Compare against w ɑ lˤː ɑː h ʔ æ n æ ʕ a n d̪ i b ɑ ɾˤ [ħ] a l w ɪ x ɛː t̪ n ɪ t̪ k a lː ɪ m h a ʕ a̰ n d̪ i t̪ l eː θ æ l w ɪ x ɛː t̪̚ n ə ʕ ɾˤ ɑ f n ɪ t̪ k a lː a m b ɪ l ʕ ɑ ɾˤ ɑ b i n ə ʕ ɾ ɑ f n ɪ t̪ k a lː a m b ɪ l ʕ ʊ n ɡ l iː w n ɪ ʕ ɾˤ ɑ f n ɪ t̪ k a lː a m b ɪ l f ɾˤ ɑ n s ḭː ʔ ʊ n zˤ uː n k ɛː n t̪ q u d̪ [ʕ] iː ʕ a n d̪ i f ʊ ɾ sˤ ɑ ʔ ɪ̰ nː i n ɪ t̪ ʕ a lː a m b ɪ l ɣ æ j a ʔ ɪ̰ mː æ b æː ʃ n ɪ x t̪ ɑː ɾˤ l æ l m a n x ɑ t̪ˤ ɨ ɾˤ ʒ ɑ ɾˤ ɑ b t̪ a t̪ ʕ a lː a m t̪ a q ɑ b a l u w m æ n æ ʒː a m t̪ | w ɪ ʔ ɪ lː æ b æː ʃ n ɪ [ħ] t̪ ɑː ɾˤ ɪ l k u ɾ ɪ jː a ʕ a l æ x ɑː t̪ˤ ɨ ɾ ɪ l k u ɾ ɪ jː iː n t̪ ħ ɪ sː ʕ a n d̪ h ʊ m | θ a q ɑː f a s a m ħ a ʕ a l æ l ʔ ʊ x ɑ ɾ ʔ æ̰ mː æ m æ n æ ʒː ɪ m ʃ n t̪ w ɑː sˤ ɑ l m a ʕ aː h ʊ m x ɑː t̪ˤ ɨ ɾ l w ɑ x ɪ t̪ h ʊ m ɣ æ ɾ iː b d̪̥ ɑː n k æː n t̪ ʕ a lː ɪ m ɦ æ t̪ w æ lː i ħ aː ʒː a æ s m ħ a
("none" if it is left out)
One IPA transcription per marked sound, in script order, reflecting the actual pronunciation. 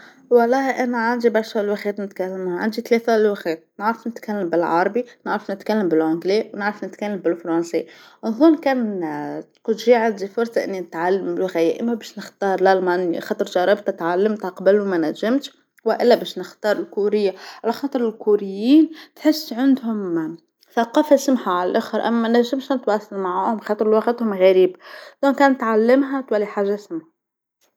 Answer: ʃ, ʒ, x

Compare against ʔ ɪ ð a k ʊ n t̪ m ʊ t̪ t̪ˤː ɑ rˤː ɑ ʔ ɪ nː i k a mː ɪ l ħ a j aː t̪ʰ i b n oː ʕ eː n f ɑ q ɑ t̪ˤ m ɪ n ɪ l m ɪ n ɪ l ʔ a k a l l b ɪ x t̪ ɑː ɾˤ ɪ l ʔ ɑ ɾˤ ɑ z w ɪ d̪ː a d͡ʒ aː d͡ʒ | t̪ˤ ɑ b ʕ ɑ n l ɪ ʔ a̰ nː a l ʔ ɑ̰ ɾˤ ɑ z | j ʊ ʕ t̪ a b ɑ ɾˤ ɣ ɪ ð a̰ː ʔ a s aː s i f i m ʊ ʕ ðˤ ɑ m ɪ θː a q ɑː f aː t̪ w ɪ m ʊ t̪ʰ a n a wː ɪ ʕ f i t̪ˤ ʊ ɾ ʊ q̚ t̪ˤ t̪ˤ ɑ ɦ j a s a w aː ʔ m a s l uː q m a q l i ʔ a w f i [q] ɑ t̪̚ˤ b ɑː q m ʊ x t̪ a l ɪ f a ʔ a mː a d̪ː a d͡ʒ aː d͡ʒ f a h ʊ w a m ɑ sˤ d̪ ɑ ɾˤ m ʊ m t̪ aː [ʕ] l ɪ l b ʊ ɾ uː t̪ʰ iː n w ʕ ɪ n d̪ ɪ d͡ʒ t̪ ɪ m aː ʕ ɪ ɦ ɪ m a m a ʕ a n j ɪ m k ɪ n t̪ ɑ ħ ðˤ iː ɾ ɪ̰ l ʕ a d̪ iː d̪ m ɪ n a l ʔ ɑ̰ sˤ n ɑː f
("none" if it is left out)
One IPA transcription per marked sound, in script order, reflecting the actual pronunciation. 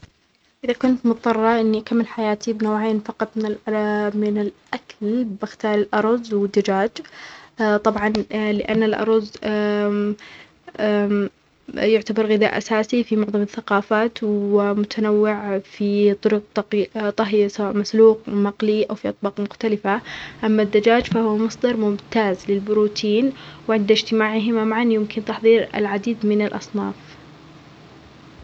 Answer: ʔ, z

